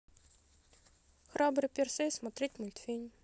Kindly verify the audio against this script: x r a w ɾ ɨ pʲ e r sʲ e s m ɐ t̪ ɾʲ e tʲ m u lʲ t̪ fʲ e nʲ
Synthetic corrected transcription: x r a b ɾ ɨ pʲ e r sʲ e s m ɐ t̪ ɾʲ e tʲ m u lʲ t̪ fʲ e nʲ